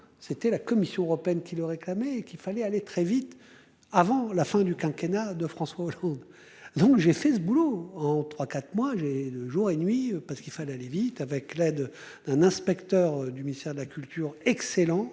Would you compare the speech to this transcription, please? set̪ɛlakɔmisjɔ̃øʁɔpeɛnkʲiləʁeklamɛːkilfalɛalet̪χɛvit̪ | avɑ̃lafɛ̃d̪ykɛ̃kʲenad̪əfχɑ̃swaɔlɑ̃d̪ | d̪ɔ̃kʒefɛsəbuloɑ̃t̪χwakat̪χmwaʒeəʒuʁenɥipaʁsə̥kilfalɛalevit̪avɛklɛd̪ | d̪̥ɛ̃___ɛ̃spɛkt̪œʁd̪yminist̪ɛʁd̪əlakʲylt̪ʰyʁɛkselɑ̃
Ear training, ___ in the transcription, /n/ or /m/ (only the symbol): n